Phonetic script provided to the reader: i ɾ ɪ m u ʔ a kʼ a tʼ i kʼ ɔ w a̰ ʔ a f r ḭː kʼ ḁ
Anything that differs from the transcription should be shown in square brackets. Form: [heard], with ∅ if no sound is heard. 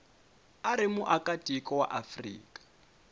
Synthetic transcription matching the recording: [a] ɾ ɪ m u ʔ a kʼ a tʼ i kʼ ɔ w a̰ ʔ a f r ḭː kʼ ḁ